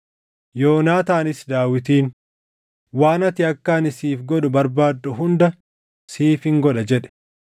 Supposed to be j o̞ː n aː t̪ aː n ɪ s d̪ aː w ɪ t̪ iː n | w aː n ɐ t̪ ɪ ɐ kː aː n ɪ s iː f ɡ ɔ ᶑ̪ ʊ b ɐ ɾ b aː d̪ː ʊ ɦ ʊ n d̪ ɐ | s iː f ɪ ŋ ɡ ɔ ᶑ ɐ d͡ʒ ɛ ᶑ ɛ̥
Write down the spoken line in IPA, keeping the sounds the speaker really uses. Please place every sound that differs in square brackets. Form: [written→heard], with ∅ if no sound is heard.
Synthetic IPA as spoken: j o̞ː n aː t̪ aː n ɪ s d̪ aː w ɪ t̪ iː n | w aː n ɐ t̪ ɪ ɐ kː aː n ɪ s iː f ɡ ɔ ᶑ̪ ʊ b ɐ ɾ b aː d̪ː ʊ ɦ ʊ n d̪ ɐ | s iː f ɪ ŋ ɡ ɔ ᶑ ɐ d͡ʒ ɛ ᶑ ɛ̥